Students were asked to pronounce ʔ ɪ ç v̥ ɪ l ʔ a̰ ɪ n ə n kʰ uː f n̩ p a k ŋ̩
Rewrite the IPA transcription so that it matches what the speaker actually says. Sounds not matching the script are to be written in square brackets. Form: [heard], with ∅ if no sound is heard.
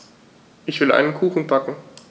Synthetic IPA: ʔ ɪ ç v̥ ɪ l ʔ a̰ ɪ n ə n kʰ uː [x] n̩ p a k ŋ̩